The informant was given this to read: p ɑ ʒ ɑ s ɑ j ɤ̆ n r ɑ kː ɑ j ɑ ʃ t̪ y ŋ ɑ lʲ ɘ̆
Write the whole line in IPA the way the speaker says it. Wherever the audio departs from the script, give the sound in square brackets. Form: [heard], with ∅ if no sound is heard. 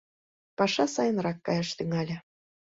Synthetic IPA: p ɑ [ʃ] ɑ s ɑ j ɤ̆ n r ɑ kː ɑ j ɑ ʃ t̪ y ŋ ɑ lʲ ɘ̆